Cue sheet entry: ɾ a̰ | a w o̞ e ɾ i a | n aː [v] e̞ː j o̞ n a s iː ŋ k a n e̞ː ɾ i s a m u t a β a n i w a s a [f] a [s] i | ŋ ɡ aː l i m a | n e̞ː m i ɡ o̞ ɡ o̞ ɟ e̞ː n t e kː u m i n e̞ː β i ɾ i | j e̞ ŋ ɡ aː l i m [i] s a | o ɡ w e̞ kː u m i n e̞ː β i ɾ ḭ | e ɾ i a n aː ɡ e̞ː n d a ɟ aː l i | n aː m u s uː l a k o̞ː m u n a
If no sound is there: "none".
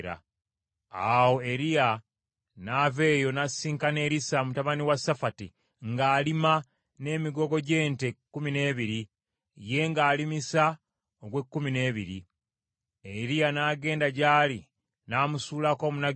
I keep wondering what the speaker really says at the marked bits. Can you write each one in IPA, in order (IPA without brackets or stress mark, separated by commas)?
v, f, t, i